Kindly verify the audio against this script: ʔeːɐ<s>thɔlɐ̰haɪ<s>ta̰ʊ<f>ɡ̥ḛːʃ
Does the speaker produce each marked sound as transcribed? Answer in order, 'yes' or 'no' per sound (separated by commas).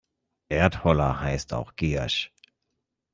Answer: no, yes, no